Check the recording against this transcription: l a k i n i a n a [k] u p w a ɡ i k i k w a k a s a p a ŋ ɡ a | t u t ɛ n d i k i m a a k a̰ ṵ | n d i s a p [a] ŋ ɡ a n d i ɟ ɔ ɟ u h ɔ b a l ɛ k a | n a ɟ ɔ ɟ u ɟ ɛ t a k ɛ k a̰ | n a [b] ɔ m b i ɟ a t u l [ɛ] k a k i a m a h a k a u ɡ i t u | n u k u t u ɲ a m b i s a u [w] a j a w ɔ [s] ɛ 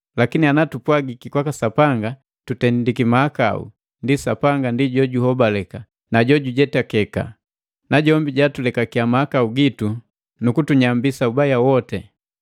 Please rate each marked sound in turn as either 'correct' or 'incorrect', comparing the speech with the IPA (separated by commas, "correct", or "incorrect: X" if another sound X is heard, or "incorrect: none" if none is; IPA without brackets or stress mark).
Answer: incorrect: t, correct, incorrect: ɟ, correct, incorrect: b, incorrect: t